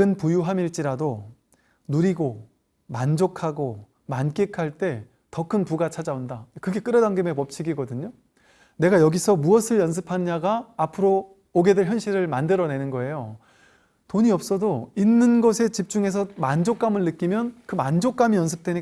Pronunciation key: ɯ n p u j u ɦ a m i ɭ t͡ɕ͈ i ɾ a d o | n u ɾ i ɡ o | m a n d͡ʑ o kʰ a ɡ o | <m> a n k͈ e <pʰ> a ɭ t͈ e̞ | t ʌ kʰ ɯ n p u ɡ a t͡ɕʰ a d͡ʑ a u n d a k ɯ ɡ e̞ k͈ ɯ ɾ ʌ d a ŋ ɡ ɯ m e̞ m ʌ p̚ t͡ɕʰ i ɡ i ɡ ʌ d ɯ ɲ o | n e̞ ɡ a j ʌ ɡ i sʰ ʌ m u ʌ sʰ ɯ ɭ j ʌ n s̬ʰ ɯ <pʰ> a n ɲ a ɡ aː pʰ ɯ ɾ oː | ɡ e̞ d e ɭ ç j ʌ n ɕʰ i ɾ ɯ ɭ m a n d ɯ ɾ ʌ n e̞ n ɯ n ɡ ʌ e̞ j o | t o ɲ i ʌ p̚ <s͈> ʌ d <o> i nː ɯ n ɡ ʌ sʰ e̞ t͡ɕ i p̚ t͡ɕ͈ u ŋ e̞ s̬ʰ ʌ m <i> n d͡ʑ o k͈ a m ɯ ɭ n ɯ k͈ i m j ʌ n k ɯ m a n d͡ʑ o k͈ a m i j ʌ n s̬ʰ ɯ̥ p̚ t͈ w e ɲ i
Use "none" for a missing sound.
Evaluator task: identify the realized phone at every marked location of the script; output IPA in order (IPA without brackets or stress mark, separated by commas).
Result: m, kʰ, pʰ, s͈, o, a